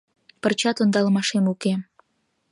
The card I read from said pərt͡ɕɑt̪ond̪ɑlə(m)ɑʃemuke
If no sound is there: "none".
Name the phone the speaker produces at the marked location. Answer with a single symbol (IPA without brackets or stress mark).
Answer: m